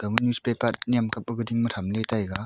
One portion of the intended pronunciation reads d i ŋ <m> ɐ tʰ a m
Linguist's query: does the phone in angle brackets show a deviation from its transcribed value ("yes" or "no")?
no